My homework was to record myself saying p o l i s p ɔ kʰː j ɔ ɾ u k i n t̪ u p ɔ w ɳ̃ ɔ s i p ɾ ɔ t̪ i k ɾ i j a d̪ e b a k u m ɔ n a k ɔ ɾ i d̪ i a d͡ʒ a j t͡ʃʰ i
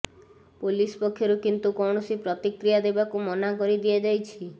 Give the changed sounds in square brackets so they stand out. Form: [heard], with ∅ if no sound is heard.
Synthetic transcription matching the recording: p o l i s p ɔ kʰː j ɔ ɾ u k i n t̪ u [k] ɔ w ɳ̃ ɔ s i p ɾ ɔ t̪ i k ɾ i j a d̪ e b a k u m ɔ n a k ɔ ɾ i d̪ i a d͡ʒ a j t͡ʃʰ i